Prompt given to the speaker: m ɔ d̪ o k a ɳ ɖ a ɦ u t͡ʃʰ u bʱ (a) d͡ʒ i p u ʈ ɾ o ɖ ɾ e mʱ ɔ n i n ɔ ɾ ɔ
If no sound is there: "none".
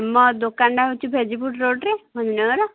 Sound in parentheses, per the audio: e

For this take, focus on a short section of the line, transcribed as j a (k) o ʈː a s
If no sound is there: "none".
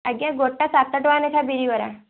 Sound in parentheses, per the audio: ɡ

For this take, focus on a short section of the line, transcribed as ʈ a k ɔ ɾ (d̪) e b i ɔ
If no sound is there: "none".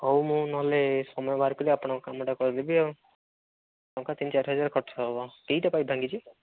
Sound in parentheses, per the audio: d̪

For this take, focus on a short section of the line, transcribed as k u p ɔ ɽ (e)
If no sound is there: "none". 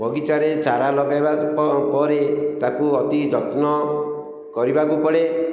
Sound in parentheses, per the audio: e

